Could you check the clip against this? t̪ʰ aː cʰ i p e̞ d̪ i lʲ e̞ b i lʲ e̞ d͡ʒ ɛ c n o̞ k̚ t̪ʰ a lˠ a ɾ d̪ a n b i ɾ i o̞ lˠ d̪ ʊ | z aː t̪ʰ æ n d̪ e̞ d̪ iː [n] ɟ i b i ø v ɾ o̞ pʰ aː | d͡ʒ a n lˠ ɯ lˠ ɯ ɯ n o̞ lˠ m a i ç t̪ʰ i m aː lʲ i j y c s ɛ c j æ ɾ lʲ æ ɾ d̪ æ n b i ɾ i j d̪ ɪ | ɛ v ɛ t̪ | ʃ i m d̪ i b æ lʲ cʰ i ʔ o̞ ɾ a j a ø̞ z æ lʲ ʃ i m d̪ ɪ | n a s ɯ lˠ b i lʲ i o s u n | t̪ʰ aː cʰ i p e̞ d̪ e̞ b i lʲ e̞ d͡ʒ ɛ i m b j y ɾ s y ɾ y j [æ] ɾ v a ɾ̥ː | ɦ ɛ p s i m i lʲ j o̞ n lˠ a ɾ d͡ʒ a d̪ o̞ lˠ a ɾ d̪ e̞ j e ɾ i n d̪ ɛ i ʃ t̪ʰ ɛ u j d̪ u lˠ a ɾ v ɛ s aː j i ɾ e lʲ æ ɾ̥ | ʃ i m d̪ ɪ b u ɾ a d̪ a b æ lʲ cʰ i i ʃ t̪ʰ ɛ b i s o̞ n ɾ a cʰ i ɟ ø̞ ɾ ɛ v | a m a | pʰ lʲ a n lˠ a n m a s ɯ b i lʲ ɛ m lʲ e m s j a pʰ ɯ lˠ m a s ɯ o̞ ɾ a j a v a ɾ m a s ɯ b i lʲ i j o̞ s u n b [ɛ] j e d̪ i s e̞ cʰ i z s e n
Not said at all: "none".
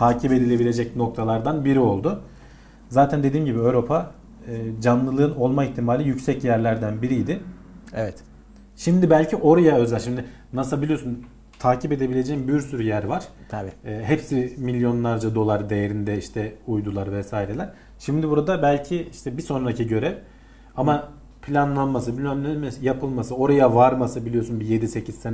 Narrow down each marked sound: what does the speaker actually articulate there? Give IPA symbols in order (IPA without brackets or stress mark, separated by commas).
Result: m, æ, i